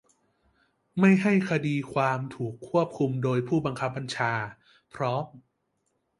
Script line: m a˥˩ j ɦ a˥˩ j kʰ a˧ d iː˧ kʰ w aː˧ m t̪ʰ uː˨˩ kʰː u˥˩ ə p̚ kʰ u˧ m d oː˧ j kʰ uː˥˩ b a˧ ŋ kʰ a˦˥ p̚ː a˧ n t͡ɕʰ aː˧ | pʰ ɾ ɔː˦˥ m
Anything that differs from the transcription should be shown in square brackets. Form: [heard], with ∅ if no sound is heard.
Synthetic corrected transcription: m a˥˩ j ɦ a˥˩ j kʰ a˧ d iː˧ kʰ w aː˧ m t̪ʰ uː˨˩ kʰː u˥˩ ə p̚ kʰ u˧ m d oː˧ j [pʰ] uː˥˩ b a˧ ŋ kʰ a˦˥ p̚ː a˧ n t͡ɕʰ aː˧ | pʰ ɾ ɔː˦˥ m